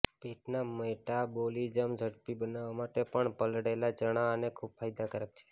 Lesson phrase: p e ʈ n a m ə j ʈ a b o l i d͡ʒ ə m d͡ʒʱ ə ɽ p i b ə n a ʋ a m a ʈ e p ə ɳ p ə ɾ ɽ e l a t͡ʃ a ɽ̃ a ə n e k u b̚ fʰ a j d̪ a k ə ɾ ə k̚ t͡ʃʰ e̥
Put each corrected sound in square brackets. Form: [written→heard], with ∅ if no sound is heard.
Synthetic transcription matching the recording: p e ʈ n a m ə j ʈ a b o l i d͡ʒ ə m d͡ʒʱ ə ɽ p i b ə n a ʋ a m a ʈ e p ə ɳ p ə [ɾ→l] ɽ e l a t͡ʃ [a→ə] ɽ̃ a ə n e [k→kʰ] u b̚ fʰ a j d̪ a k ə ɾ ə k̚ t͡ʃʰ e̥